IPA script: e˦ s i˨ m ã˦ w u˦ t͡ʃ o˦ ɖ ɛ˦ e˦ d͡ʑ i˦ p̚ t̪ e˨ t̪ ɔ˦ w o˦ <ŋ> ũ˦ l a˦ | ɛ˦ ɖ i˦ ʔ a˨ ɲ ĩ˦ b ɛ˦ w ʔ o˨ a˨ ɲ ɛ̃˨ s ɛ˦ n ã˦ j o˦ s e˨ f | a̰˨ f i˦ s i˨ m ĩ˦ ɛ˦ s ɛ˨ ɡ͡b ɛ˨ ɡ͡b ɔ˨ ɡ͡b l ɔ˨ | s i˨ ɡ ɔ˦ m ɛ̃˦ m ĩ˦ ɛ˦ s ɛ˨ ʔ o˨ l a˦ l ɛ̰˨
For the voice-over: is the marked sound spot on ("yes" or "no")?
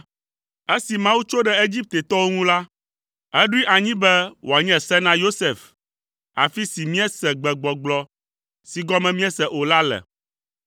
yes